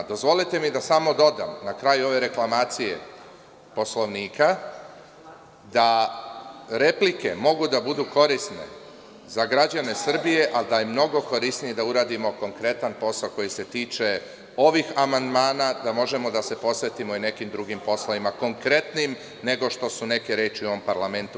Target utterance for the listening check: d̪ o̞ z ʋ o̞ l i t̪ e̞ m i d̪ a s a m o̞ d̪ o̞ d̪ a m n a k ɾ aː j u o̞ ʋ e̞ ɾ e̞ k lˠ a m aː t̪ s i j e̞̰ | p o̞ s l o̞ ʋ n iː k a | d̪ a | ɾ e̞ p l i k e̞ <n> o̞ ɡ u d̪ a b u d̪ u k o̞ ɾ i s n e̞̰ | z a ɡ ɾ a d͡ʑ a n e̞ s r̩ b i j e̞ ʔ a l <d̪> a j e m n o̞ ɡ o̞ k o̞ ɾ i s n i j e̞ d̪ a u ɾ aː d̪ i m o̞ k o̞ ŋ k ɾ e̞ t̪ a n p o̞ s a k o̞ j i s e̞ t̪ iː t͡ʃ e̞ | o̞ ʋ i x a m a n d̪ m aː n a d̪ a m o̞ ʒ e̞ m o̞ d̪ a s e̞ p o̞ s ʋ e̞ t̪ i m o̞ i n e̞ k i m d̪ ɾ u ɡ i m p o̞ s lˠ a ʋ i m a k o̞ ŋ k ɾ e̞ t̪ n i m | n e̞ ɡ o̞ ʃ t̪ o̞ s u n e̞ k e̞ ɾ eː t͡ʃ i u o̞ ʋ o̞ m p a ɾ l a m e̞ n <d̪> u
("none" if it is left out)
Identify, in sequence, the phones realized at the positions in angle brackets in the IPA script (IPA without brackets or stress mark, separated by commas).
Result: m, d̪, t̪